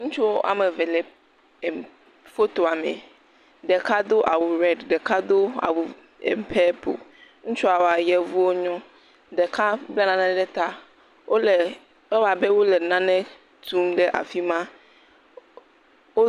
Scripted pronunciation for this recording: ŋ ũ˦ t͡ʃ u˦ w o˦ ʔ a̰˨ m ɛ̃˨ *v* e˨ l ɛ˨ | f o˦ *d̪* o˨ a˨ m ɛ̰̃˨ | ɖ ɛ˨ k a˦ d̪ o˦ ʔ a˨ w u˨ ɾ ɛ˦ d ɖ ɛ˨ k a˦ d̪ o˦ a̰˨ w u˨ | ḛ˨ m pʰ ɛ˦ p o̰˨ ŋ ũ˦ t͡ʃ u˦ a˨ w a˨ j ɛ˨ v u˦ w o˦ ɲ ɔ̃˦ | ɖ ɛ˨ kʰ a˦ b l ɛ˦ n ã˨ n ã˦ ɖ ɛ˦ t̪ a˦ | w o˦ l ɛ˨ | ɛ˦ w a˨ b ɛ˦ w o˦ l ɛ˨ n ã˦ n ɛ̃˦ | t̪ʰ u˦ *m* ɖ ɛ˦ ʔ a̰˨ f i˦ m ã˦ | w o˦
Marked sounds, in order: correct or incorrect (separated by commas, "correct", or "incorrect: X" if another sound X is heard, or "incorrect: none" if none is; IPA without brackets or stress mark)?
correct, incorrect: t̪, correct